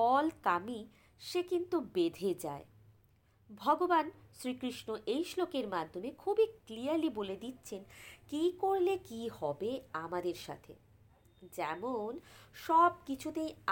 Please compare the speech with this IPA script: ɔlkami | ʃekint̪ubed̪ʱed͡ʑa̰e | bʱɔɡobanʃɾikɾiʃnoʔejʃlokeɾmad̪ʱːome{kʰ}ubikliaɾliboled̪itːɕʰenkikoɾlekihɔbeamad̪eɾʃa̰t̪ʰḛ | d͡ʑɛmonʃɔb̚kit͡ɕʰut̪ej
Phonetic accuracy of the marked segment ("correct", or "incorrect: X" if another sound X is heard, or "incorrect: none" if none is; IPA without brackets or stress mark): correct